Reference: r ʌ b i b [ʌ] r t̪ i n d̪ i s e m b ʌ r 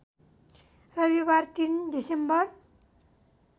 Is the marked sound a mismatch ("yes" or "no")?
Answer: yes